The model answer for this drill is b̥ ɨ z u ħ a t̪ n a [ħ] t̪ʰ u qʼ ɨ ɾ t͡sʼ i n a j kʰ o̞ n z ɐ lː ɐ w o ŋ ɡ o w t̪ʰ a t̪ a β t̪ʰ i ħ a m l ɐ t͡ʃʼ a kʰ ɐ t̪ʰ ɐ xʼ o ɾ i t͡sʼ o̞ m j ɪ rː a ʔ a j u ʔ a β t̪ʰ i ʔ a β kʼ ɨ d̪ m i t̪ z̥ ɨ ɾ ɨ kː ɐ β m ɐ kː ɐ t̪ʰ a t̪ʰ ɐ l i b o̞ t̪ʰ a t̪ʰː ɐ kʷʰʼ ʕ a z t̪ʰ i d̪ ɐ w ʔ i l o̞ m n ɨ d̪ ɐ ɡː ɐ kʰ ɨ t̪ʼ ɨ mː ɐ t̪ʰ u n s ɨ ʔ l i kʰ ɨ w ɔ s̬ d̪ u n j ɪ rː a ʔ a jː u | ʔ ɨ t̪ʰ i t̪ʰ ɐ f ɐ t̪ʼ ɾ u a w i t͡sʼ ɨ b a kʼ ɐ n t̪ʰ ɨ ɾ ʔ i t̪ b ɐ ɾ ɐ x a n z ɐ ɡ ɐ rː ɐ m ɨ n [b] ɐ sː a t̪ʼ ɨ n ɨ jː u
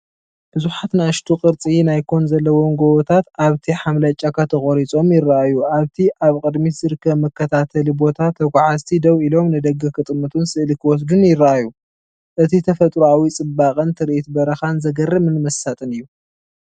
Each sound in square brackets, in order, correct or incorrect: incorrect: ʃ, incorrect: m

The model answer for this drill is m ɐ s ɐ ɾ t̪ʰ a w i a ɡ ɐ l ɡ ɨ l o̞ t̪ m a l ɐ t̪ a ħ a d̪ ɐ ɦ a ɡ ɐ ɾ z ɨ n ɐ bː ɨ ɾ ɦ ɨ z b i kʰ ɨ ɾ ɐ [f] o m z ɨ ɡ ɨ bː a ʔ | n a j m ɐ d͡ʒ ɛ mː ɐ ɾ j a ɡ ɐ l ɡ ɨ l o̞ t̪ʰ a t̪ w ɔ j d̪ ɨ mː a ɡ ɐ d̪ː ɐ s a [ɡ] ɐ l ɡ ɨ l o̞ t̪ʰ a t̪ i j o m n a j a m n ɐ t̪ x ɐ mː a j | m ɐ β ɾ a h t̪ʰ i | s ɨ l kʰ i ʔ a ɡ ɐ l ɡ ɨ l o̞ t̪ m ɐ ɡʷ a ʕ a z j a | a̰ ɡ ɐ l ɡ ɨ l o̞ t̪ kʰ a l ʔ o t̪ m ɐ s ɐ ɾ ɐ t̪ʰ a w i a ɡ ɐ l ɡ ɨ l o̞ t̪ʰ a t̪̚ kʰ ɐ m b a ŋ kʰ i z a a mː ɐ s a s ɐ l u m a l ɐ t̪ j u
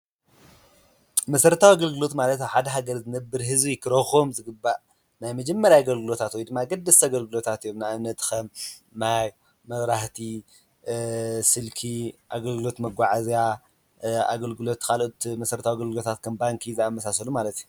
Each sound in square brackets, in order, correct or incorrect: incorrect: x, correct

